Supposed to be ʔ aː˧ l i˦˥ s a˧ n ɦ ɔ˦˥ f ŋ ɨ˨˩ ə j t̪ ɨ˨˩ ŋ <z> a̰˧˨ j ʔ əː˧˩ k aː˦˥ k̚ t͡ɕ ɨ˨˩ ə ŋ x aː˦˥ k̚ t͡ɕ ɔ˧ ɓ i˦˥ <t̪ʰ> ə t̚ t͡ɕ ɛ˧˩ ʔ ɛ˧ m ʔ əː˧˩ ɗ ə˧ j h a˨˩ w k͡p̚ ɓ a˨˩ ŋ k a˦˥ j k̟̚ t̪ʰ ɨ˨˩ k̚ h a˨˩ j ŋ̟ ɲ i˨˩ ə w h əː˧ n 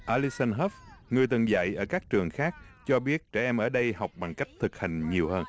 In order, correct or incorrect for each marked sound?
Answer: correct, incorrect: none

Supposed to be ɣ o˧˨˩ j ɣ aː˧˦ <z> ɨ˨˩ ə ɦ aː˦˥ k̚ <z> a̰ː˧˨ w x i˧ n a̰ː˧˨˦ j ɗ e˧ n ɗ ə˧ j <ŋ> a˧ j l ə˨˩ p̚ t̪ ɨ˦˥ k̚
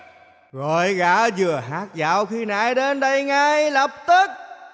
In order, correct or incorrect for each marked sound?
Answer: correct, correct, correct

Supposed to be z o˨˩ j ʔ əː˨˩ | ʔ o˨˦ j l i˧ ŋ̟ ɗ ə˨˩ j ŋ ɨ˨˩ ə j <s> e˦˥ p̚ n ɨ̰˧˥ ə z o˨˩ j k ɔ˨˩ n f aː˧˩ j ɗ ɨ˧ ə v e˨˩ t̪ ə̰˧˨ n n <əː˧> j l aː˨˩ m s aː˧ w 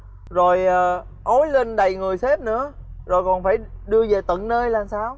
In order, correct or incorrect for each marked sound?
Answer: correct, correct

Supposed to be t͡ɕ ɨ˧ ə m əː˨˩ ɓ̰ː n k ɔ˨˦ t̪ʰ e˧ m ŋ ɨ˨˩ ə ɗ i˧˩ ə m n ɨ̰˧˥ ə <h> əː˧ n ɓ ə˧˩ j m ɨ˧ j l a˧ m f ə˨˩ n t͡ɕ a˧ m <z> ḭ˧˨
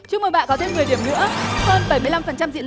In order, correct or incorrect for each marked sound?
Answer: correct, correct

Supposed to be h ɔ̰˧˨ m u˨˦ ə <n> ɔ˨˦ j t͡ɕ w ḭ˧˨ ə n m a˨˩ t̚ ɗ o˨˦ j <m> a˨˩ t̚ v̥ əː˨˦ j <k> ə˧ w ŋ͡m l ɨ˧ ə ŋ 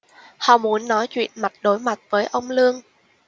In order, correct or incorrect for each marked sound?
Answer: incorrect: nː, correct, incorrect: ʔ

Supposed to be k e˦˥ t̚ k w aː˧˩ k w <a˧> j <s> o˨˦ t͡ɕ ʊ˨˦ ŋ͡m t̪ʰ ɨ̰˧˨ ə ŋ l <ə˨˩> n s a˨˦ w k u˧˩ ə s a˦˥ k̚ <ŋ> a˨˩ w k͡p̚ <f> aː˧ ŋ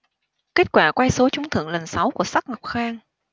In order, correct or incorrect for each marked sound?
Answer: correct, correct, correct, correct, incorrect: x

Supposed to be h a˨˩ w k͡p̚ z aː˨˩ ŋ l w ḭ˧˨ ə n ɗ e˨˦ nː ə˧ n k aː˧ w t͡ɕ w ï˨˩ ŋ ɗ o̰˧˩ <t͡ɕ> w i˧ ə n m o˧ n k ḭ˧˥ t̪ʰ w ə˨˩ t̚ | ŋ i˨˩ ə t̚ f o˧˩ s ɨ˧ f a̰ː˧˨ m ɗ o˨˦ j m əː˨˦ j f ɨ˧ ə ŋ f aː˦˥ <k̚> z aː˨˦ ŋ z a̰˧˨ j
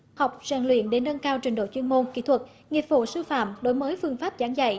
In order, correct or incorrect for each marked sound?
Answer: correct, incorrect: p̚

